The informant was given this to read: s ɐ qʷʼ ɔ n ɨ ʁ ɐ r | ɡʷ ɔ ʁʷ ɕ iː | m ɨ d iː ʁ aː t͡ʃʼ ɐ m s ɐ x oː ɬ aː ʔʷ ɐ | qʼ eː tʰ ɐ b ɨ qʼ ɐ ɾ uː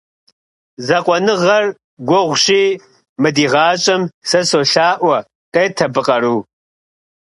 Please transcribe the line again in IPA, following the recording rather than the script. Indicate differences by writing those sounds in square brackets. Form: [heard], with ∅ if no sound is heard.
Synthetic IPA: [z] ɐ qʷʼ ɔ n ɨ ʁ ɐ r | ɡʷ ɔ ʁʷ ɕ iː | m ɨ d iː ʁ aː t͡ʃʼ ɐ m s ɐ [s] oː ɬ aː ʔʷ ɐ | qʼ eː tʰ ɐ b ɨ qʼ ɐ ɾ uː